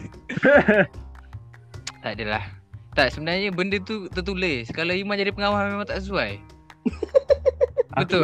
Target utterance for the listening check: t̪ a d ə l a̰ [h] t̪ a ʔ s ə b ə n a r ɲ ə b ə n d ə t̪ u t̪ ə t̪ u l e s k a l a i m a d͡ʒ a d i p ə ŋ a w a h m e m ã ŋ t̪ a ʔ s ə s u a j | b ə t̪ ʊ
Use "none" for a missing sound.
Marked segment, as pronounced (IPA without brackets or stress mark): h